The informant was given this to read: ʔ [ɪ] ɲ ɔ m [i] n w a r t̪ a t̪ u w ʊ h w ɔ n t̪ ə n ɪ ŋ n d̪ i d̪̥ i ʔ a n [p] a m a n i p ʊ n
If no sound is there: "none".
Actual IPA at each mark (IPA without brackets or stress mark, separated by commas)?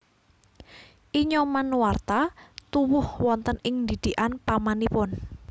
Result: i, a, p